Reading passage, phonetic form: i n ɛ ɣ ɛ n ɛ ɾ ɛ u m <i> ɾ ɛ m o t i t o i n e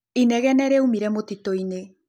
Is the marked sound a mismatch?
no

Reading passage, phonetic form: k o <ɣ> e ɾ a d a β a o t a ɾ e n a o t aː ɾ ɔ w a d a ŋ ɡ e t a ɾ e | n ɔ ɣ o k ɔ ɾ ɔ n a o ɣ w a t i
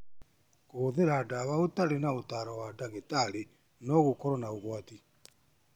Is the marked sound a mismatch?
yes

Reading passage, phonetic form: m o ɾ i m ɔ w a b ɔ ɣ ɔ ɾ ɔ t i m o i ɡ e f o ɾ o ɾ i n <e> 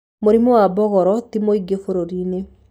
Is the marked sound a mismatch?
no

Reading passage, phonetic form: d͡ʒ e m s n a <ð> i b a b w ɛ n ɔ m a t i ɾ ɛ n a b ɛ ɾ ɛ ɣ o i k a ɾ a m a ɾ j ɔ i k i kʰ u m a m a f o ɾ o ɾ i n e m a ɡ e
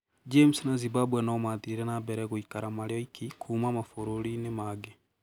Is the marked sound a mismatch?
yes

